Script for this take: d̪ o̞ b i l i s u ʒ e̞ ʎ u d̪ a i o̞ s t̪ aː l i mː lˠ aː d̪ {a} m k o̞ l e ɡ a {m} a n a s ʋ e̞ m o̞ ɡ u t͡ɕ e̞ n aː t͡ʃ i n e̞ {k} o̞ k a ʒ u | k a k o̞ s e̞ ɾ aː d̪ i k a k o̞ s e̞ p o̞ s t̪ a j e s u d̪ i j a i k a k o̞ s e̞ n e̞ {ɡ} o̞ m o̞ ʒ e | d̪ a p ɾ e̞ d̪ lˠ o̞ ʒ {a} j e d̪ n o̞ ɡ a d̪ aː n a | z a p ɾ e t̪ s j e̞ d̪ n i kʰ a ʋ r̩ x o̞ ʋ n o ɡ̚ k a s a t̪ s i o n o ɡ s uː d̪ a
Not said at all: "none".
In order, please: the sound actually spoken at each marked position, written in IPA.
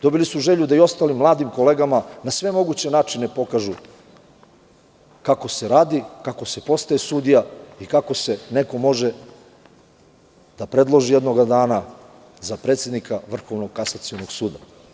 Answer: i, m, p, k, i

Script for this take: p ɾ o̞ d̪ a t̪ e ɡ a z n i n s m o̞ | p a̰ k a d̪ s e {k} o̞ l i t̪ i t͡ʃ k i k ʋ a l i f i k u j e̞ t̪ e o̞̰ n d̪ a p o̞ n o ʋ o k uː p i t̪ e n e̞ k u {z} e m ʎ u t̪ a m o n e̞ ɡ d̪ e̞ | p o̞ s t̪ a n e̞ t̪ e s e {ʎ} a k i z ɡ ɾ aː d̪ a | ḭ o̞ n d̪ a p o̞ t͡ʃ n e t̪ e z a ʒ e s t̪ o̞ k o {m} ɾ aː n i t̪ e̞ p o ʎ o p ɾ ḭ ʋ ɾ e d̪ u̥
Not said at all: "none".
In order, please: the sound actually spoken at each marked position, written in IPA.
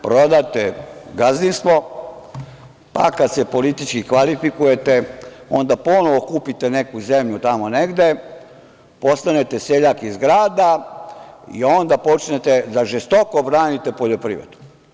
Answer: p, z, ʎ, b

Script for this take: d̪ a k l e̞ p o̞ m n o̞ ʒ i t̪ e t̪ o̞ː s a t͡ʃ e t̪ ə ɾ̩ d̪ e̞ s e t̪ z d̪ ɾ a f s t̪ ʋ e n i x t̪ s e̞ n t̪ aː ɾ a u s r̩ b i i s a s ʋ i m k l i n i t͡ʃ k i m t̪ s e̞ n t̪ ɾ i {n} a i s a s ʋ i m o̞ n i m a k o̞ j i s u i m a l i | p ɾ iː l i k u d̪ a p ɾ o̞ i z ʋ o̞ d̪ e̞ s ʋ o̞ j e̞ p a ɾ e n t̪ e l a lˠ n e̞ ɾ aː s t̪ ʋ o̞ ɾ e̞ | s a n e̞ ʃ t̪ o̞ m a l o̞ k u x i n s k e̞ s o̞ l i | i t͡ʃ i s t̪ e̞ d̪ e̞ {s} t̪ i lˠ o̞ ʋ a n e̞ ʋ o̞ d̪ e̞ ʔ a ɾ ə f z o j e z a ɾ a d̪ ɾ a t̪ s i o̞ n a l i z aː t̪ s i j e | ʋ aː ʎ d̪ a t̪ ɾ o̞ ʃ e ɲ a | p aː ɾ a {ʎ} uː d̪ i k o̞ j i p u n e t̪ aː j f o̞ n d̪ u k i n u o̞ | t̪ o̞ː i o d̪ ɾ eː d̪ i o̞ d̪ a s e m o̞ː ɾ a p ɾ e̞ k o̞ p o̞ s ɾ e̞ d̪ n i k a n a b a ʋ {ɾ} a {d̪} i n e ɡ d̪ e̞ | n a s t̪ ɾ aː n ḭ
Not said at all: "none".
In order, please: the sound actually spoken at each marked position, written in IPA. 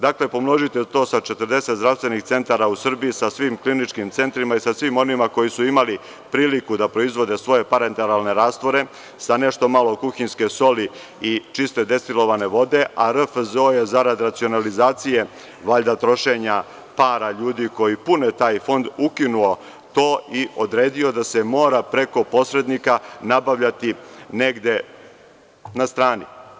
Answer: m, s, ʎ, ʎ, t̪

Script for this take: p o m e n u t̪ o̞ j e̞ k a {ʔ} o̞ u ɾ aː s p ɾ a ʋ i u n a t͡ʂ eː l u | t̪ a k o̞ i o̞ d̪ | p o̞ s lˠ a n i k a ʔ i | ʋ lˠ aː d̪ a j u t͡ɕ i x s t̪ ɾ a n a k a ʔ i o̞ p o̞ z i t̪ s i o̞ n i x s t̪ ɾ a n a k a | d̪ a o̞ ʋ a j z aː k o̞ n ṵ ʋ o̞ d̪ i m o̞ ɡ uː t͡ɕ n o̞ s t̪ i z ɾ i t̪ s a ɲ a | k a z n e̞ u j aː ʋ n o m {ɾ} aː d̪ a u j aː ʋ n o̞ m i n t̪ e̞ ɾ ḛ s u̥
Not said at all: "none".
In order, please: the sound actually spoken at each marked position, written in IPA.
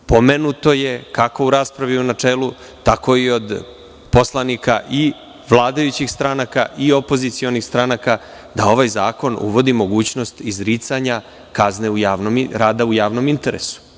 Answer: k, ɾ

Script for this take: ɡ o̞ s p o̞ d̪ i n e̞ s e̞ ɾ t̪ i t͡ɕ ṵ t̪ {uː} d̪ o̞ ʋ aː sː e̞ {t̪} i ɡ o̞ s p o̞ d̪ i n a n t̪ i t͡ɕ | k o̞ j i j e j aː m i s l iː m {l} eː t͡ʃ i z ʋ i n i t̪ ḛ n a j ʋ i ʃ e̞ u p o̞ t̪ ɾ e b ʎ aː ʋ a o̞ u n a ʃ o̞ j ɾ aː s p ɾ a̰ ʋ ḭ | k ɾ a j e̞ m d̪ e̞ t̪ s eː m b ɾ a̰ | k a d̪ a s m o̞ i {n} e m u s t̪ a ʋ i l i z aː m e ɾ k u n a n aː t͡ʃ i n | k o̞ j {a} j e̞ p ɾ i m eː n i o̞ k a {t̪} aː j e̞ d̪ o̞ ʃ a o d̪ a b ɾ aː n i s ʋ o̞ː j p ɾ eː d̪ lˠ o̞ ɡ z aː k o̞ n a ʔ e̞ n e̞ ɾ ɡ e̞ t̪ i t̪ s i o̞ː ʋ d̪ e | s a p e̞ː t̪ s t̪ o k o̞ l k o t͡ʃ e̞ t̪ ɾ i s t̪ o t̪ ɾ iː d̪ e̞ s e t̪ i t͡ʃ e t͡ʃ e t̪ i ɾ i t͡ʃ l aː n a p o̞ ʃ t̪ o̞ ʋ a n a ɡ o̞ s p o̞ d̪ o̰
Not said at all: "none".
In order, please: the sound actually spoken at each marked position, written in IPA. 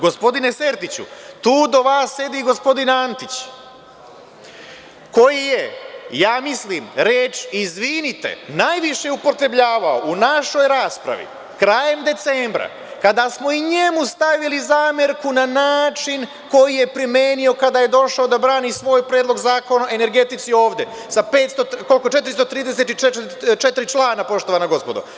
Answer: uː, d̪, ɾ, ɲ, i, d̪

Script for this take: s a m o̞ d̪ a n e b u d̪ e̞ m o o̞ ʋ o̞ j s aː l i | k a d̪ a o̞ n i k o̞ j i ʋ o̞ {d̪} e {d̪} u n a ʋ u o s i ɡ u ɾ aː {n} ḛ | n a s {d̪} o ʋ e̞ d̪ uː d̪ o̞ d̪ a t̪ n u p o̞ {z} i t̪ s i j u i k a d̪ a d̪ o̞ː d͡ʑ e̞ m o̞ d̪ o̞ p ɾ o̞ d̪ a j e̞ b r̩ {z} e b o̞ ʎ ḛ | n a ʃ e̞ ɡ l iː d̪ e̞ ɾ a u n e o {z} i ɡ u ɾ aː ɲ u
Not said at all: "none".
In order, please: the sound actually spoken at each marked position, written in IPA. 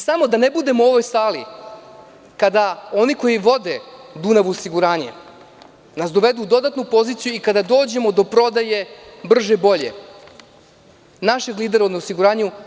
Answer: d̪, d̪, ɲ, d̪, z, ʒ, s

